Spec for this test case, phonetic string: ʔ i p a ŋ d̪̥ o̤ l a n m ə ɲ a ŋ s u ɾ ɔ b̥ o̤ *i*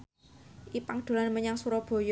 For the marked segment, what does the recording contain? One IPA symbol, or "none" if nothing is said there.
j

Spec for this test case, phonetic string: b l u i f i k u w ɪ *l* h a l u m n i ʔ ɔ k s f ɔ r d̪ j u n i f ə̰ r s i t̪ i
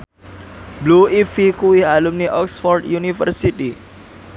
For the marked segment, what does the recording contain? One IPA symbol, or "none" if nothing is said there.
none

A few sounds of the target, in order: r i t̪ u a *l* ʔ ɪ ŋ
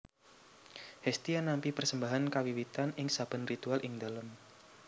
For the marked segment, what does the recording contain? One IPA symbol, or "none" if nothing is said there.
l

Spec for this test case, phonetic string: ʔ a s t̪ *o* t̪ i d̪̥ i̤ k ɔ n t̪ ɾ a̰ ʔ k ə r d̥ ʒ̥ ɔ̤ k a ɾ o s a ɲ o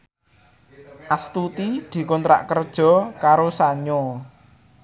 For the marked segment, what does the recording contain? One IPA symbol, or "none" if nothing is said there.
u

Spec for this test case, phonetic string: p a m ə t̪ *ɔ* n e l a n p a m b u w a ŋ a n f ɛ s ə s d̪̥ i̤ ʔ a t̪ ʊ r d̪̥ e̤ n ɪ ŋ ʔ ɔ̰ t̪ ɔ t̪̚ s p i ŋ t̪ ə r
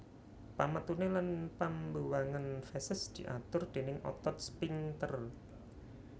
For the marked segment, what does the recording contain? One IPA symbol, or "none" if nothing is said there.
u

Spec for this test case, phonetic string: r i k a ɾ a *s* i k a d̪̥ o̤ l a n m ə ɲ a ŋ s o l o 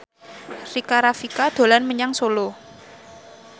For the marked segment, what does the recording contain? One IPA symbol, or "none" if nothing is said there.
f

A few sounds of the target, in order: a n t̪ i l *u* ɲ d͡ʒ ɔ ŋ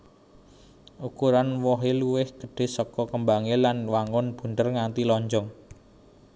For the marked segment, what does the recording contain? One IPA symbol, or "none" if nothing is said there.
ɔ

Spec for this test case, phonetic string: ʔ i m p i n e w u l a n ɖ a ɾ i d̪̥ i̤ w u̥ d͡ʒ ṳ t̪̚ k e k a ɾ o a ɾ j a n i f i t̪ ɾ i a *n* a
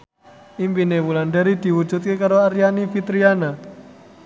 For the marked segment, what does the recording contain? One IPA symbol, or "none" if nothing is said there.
n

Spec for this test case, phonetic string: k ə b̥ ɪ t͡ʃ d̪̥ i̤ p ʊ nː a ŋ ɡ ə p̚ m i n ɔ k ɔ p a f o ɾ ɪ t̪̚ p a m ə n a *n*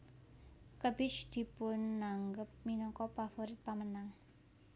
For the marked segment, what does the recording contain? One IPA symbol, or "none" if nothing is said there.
ŋ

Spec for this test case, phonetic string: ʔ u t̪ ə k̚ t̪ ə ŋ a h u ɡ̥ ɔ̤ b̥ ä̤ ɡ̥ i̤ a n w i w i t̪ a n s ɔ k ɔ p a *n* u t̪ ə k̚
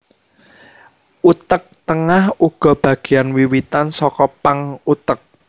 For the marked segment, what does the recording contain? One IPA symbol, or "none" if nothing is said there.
ŋ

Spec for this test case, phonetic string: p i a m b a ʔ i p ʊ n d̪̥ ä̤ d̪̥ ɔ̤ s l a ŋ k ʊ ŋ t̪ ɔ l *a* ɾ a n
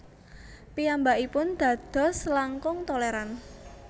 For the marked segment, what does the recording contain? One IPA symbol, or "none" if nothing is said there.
e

